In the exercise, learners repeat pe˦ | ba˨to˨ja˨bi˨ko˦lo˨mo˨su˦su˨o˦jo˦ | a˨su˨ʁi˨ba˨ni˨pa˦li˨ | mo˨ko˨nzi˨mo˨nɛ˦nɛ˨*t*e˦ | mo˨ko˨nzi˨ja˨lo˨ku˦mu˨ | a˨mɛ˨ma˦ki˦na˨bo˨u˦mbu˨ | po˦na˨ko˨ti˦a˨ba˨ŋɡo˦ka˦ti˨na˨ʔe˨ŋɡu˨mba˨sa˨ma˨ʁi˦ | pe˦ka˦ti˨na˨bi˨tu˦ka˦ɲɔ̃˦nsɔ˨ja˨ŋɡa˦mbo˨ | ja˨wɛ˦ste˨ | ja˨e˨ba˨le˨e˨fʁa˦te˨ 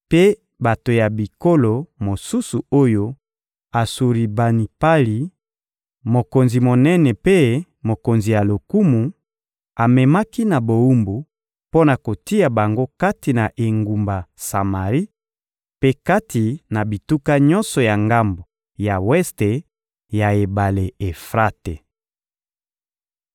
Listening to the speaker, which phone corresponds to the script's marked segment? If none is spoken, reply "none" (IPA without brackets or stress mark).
p